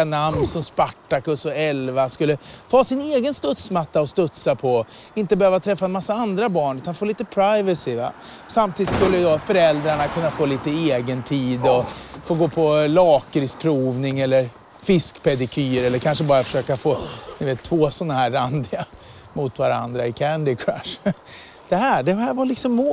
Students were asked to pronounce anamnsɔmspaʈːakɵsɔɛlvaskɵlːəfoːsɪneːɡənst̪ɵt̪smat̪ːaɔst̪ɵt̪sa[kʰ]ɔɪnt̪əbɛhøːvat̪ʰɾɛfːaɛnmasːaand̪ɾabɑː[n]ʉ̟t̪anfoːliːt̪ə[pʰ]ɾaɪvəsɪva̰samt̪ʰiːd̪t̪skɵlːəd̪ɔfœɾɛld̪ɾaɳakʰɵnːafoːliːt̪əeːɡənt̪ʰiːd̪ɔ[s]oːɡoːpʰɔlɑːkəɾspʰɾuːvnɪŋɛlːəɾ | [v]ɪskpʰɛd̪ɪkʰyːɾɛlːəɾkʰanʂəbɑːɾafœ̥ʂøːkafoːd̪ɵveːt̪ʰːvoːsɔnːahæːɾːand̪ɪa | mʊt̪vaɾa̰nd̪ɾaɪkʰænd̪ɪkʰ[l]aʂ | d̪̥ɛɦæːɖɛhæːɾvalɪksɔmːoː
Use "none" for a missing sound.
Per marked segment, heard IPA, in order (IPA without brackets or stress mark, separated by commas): pʰ, ɳ, pʰ, f, f, ɾ